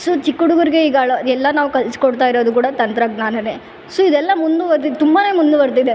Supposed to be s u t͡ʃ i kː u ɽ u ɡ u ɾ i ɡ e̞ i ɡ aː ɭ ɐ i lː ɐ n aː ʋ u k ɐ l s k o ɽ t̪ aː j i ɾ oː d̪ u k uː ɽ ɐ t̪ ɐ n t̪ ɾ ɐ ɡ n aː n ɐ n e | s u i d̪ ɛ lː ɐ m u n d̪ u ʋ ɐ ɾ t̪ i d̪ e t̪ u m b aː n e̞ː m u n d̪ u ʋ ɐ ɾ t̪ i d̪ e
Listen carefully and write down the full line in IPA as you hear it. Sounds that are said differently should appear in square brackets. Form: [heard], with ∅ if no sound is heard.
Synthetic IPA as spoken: s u t͡ʃ i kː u ɽ u ɡ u ɾ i ɡ e̞ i ɡ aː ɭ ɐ [ɛ] lː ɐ n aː ʋ u k ɐ l s k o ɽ t̪ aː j i ɾ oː d̪ u k uː ɽ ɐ t̪ ɐ n t̪ ɾ ɐ ɡ n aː n ɐ n e | s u i d̪ ɛ lː ɐ m u n d̪ u ʋ ɐ ɾ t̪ i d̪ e t̪ u m b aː n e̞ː m u n d̪ u ʋ ɐ ɾ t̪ i d̪ e